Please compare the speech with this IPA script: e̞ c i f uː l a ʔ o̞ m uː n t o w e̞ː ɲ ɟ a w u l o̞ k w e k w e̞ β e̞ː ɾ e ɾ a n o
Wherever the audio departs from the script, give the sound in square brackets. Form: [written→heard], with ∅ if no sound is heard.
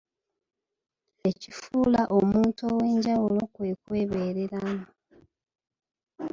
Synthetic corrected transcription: e̞ c i f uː l a ʔ o̞ m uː n t o w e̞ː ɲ ɟ a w u l o̞ k w e k w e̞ β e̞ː ɾ e ɾ a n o